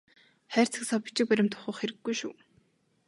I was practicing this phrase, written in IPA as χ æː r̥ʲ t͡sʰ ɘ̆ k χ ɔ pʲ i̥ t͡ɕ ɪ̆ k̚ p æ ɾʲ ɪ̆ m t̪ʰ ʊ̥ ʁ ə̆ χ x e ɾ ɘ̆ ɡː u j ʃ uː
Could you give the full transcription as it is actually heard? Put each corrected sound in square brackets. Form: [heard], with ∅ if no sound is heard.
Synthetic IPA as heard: χ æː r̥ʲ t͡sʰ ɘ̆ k [s] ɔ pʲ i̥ t͡ɕ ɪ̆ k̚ p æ ɾʲ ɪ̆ m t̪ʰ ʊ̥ [χ] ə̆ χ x e ɾ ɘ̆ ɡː u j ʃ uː